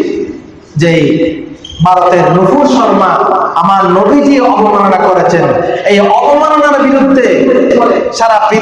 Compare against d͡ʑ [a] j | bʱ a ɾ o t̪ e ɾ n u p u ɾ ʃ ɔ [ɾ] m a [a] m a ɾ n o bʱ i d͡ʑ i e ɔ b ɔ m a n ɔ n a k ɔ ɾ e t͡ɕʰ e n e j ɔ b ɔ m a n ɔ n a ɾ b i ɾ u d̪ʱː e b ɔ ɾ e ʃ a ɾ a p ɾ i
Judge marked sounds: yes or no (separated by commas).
no, yes, yes